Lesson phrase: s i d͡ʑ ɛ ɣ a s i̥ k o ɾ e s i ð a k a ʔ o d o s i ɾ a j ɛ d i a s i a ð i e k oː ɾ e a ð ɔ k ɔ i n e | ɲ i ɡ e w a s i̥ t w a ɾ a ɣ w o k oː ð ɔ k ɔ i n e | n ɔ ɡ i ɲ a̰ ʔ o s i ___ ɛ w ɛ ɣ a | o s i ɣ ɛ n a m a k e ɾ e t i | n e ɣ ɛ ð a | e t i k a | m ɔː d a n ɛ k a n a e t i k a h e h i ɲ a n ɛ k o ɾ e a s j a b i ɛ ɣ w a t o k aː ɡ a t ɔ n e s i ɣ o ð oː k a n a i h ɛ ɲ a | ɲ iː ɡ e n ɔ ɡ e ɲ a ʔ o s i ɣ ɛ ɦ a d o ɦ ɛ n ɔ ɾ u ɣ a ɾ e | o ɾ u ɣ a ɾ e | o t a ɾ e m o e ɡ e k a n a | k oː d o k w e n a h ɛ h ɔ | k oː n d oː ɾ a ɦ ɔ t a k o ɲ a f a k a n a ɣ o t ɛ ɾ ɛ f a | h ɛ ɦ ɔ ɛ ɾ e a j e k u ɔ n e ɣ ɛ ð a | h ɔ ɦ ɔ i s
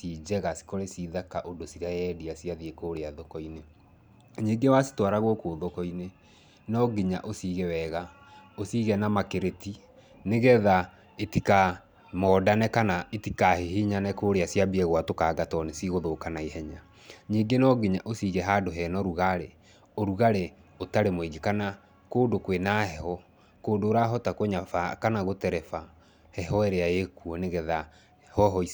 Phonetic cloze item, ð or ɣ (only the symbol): ɣ